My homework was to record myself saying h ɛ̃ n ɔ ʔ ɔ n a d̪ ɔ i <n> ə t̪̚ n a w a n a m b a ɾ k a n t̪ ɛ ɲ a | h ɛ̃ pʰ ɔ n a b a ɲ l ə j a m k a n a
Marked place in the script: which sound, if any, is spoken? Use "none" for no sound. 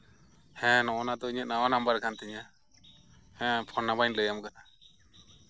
ɲ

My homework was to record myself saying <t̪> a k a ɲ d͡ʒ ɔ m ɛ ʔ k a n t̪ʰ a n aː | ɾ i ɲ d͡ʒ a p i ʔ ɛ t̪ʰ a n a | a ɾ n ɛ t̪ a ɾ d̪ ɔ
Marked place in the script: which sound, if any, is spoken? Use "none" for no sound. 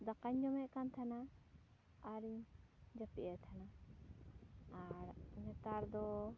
d̪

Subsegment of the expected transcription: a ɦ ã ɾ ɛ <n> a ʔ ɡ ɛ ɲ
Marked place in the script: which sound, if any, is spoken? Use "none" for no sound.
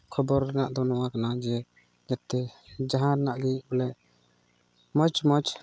n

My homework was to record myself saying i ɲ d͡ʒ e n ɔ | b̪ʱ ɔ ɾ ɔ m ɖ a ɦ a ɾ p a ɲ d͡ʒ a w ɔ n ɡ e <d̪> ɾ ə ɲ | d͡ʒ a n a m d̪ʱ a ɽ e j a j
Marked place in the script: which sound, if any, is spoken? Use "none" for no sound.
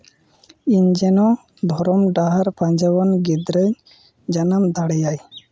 d̪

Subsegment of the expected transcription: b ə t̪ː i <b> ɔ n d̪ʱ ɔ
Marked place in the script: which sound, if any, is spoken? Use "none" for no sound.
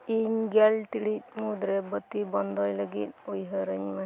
b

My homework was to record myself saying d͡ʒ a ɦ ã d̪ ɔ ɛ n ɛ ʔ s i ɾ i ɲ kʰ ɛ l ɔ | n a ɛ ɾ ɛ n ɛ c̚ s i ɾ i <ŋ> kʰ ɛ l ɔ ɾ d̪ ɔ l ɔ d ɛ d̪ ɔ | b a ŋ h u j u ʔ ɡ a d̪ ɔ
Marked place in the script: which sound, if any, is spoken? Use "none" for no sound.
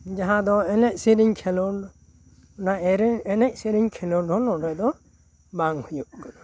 ɲ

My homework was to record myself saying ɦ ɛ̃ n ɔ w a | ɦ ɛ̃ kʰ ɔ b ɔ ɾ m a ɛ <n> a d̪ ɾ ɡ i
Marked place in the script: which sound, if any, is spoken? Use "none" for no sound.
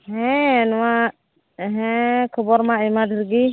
m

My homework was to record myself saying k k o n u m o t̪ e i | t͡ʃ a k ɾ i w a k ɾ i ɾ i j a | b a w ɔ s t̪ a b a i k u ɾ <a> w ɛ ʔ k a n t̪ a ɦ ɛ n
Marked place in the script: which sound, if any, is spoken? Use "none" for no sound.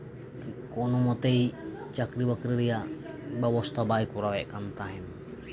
a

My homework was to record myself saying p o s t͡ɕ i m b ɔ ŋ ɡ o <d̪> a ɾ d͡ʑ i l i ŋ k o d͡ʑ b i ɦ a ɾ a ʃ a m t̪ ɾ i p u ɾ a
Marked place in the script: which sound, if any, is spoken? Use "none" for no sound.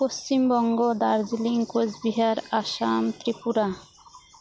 d̪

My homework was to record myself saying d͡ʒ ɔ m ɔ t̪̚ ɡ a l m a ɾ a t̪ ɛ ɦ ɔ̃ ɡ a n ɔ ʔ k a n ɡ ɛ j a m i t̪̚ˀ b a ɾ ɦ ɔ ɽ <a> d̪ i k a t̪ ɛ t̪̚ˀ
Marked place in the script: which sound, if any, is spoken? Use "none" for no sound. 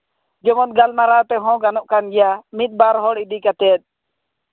i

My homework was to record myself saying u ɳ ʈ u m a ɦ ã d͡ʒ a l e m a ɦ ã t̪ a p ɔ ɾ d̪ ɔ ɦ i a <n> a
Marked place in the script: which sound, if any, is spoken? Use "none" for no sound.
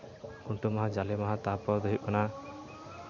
n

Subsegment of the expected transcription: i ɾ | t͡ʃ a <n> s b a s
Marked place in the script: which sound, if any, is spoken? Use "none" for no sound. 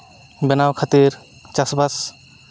none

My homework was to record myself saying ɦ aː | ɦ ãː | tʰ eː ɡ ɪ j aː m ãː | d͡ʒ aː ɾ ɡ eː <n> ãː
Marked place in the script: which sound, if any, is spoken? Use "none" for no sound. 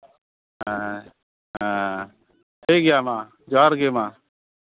m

